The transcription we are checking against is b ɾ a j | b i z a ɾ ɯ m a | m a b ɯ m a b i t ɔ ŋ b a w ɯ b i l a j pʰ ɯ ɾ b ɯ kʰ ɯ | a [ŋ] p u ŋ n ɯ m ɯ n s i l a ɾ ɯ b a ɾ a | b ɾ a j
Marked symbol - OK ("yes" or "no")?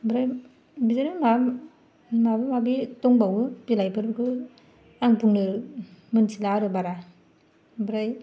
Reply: yes